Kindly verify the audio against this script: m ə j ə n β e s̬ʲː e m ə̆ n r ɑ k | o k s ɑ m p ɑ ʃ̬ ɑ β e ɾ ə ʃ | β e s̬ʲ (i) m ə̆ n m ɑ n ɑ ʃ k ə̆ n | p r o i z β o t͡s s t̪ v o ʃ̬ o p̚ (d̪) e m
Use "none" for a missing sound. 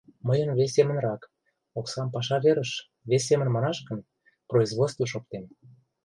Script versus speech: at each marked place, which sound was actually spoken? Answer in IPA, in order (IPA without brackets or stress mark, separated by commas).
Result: e, t̪